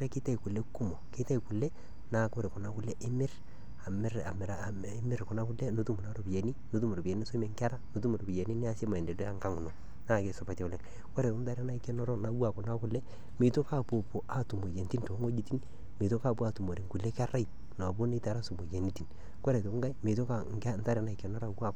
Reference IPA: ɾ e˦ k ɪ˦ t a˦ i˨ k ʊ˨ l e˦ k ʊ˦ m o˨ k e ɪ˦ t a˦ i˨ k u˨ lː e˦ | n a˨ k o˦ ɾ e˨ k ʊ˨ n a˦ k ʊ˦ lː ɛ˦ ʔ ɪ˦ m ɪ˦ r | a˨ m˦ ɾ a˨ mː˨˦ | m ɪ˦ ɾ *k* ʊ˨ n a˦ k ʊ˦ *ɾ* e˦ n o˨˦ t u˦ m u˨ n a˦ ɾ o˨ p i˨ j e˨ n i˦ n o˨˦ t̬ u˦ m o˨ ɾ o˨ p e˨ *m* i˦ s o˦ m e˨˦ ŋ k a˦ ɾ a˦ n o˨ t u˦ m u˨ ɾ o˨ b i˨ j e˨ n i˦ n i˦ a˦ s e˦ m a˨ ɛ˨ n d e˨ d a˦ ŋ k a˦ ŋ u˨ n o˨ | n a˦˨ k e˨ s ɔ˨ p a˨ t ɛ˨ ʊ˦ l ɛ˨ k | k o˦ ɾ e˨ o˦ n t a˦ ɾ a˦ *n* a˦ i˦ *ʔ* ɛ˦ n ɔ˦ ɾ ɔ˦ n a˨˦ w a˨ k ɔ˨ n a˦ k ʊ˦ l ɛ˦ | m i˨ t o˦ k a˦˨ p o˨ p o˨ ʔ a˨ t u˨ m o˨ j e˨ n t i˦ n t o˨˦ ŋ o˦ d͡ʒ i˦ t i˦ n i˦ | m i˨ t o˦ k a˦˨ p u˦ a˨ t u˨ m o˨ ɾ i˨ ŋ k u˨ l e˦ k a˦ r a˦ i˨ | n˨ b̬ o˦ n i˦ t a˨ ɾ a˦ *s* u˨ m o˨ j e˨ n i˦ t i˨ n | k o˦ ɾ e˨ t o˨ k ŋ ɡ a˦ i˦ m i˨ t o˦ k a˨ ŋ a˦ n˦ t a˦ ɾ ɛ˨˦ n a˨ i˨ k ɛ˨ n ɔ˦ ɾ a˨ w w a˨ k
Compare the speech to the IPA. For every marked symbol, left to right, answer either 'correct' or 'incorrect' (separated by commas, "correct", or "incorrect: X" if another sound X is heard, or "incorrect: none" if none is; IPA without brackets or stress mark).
correct, incorrect: l, incorrect: n, correct, incorrect: k, correct